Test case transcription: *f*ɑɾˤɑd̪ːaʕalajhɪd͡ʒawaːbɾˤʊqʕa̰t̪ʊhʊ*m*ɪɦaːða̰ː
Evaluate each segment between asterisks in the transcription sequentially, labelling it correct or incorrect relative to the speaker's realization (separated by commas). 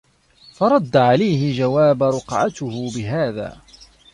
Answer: correct, incorrect